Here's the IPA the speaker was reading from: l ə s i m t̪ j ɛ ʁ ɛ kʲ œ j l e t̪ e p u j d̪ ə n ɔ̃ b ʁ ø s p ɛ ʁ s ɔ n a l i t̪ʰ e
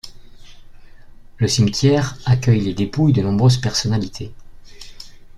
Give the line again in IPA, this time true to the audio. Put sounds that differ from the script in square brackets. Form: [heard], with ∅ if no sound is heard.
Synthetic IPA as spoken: l ə s i m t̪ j ɛ ʁ [a] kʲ œ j l e [d̪] e p u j d̪ ə n ɔ̃ b ʁ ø [z] p ɛ ʁ s ɔ n a l i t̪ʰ e